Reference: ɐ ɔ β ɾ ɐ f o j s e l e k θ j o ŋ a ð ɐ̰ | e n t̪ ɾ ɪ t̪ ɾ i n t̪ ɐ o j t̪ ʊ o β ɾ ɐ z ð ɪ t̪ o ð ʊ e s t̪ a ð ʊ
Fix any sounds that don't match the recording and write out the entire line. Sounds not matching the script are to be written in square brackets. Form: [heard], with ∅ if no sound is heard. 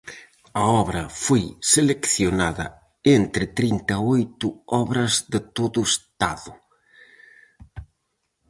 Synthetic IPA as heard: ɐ ɔ β ɾ ɐ f o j s e l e k θ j o [n] a ð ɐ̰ | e n t̪ ɾ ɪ t̪ ɾ i n t̪ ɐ o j t̪ ʊ [ɔ] β ɾ ɐ z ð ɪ t̪ o ð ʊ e s t̪ a ð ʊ